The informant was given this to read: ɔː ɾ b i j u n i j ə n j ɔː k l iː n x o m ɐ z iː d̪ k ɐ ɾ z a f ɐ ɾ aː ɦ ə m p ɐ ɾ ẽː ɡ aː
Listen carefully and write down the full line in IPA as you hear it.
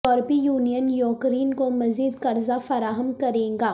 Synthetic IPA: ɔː ɾ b i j uː n i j ə n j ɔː k ɾ iː n k o m ɐ z iː d̪ k ɐ ɾ z a f ɐ ɾ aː ɦ ə m k ɐ ɾ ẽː ɡ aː